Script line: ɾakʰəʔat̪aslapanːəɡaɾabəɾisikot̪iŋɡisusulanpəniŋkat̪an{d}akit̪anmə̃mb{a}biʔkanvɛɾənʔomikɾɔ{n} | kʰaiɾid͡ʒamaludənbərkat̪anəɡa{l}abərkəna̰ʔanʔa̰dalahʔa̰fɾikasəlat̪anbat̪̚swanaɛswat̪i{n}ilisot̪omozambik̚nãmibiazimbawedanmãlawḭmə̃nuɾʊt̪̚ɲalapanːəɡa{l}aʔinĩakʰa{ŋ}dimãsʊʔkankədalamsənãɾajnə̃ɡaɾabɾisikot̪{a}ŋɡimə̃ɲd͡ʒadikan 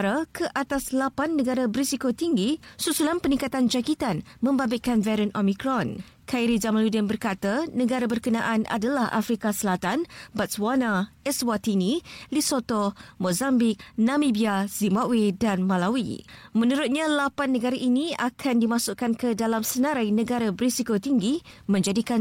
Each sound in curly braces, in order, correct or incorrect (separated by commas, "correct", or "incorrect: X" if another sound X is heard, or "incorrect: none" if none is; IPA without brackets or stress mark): incorrect: d͡ʒ, correct, correct, incorrect: ɾ, correct, incorrect: ɾ, incorrect: n, incorrect: i